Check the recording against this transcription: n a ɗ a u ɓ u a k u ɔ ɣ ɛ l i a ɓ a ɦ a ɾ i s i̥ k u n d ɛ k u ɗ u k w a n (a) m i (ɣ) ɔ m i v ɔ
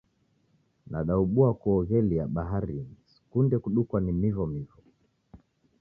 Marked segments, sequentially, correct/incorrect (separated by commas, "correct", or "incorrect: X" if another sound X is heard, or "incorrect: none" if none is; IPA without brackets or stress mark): incorrect: i, incorrect: v